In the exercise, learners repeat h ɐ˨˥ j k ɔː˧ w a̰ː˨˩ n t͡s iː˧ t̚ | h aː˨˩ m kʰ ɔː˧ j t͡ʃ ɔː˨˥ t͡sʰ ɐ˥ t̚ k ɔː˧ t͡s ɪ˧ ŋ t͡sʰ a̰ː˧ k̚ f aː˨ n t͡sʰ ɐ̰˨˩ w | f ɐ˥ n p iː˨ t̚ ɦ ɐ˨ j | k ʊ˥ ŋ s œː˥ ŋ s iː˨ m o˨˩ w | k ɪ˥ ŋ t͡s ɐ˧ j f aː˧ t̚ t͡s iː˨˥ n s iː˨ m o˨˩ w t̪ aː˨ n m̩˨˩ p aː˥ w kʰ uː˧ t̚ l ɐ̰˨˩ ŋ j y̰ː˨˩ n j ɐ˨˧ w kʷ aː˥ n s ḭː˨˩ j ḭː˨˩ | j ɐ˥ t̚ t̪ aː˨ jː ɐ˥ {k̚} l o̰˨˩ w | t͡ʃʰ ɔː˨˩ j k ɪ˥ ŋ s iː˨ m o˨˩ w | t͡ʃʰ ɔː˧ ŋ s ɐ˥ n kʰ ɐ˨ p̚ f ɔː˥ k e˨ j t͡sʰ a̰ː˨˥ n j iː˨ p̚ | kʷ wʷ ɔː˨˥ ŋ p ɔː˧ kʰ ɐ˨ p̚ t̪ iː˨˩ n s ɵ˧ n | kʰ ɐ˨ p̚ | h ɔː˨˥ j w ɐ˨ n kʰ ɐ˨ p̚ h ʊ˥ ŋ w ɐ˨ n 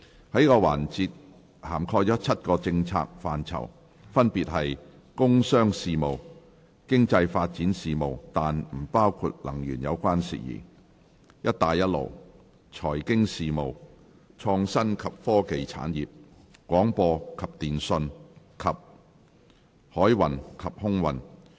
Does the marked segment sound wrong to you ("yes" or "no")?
yes